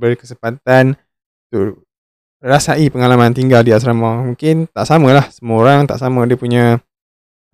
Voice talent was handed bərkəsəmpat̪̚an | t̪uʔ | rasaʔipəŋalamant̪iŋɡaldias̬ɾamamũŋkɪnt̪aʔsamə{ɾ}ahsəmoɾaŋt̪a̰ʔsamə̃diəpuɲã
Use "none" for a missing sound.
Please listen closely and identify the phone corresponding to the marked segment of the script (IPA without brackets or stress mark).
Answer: l